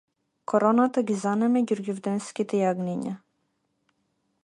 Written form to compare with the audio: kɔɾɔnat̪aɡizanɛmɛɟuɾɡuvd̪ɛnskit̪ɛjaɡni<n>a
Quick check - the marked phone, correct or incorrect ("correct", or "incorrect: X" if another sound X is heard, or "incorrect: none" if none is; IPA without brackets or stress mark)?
incorrect: ɲ